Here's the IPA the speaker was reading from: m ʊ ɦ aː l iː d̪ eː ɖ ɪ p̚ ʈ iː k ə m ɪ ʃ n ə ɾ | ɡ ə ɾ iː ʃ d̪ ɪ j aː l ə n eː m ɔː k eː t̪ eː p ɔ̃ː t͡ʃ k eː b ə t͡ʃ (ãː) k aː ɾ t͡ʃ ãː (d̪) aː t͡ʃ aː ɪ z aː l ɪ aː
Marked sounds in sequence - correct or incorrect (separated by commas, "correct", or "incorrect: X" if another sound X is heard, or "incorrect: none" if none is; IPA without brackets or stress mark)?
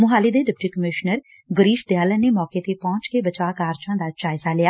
incorrect: aː, correct